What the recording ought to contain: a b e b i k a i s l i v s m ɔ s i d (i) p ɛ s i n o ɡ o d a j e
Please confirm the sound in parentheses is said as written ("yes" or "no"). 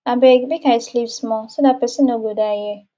no